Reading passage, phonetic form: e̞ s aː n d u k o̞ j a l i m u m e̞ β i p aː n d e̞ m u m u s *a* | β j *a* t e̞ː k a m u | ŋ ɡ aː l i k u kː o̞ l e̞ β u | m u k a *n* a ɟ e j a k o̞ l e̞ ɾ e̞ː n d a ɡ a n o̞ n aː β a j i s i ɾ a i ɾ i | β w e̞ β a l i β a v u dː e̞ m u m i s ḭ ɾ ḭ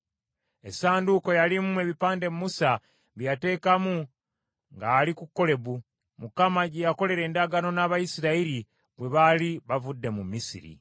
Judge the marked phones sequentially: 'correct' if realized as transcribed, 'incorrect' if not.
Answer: correct, correct, incorrect: m

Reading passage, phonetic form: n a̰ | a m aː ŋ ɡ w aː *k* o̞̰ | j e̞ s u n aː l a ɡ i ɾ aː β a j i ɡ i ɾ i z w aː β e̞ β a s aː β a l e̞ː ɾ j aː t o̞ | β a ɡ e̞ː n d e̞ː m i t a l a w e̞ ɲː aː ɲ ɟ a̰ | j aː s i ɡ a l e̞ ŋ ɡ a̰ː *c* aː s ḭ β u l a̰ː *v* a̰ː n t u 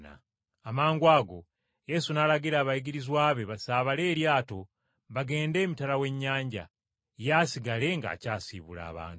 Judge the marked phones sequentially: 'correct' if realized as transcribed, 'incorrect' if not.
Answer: incorrect: ɡ, correct, incorrect: β

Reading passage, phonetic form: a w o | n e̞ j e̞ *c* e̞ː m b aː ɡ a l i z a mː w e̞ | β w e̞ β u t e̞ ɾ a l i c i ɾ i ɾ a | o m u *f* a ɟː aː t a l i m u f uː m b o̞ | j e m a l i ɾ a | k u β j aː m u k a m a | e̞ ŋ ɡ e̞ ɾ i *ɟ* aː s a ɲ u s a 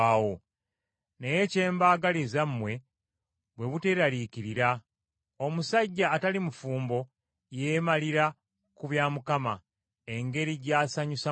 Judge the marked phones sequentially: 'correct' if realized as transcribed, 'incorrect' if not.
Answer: correct, incorrect: s, correct

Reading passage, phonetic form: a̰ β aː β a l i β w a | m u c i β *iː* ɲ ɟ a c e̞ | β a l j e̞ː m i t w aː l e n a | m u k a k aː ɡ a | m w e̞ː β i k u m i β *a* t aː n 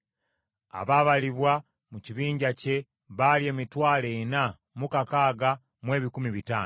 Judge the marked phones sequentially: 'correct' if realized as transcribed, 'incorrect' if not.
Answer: correct, incorrect: i

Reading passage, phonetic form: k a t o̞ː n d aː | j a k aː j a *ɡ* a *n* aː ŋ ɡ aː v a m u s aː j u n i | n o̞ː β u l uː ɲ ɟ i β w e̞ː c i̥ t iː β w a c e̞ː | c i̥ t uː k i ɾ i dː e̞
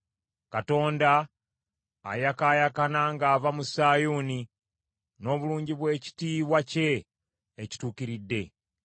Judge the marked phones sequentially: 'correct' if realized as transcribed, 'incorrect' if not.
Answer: incorrect: k, correct

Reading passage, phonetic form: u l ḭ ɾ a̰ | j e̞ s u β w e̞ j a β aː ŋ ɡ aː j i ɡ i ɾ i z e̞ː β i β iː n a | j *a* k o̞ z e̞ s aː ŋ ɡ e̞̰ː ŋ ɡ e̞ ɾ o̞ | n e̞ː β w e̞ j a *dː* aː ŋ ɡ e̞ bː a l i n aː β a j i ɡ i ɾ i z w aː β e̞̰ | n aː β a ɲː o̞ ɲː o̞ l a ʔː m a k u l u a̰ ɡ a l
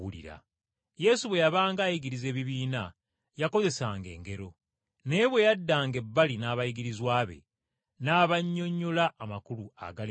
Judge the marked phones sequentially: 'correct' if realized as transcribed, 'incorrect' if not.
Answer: correct, correct

